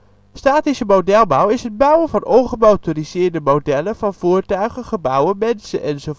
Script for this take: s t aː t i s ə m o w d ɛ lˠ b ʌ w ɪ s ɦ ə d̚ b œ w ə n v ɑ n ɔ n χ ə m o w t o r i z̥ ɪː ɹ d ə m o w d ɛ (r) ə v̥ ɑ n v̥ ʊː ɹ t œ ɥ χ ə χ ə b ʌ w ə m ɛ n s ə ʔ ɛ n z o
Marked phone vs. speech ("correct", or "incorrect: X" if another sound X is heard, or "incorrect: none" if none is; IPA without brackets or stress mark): incorrect: l